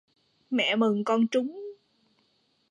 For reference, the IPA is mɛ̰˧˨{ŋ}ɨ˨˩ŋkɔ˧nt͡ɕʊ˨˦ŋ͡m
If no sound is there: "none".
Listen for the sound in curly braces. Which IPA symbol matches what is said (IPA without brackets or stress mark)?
m